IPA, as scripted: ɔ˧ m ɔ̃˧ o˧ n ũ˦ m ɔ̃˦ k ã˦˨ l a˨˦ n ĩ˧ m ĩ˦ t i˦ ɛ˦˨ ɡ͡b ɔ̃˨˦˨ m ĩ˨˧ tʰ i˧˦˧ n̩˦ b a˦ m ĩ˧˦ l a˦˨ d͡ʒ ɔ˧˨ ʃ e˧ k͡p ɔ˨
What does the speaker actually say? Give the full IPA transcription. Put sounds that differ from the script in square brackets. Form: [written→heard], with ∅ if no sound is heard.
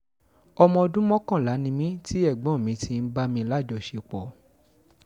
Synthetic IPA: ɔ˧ m ɔ̃˧ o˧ [n→d] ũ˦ m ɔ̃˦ k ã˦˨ l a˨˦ n ĩ˧ m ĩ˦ t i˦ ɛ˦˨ ɡ͡b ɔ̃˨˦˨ m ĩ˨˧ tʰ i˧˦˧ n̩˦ b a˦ m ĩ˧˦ l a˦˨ d͡ʒ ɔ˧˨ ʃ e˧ k͡p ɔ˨